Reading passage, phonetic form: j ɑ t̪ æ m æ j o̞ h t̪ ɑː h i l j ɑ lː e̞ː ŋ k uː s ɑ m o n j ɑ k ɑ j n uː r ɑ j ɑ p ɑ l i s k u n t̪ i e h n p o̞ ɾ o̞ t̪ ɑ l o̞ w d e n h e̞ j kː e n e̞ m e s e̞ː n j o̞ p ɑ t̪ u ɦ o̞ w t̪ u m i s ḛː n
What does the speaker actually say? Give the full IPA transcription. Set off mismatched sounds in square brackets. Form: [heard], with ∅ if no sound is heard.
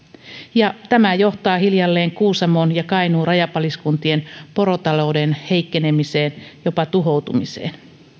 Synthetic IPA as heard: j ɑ t̪ æ m æ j o̞ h t̪ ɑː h i l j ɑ lː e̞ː ŋ k uː s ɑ m o n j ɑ k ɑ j n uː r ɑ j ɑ p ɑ l i s k u n t̪ i e [∅] n p o̞ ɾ o̞ t̪ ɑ l o̞ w d e n h e̞ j kː e n e̞ m [i] s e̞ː n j o̞ p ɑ t̪ u ɦ o̞ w t̪ u m i s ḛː n